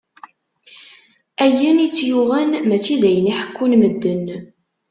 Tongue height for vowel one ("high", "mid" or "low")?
low